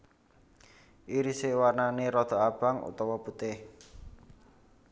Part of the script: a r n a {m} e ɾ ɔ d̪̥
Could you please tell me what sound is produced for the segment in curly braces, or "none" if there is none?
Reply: n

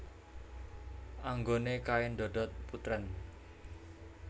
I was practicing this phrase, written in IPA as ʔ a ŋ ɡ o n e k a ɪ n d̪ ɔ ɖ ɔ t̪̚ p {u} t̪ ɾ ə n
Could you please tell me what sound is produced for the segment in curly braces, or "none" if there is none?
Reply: u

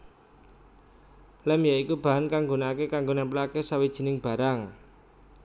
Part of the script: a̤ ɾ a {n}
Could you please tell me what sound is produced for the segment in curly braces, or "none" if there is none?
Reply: ŋ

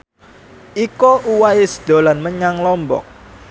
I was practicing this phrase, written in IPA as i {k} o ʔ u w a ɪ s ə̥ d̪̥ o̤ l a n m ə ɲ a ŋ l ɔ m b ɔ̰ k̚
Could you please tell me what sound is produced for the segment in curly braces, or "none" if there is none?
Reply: k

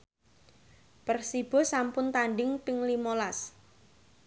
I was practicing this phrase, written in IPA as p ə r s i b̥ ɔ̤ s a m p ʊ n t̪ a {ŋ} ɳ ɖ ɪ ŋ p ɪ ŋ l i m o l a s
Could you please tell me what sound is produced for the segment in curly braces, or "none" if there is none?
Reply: none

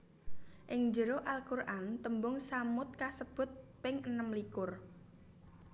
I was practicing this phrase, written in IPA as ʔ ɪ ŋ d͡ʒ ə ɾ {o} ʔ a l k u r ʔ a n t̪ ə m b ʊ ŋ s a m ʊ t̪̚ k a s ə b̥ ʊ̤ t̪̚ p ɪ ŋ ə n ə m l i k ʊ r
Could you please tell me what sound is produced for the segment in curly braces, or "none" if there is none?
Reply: o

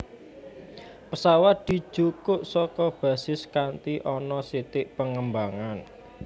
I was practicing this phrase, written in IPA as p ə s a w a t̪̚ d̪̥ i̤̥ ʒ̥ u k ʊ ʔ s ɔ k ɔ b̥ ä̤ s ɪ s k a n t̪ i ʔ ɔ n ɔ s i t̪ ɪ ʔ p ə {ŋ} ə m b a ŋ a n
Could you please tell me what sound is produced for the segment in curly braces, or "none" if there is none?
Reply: ŋ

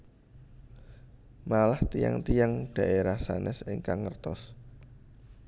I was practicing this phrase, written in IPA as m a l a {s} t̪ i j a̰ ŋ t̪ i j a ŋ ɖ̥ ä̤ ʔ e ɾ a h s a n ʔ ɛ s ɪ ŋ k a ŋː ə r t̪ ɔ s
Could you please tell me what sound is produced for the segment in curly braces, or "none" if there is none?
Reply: h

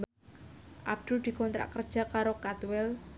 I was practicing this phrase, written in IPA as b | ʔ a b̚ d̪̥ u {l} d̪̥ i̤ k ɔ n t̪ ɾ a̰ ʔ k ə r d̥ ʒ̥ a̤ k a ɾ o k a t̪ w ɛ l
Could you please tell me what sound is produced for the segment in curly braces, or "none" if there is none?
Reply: l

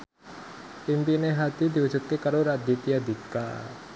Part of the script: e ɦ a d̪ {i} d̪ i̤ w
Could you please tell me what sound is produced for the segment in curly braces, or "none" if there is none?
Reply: i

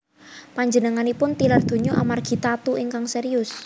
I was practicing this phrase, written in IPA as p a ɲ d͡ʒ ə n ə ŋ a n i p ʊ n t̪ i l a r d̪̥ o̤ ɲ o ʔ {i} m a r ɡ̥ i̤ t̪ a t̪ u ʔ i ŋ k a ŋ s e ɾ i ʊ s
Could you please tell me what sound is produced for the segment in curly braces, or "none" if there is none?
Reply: a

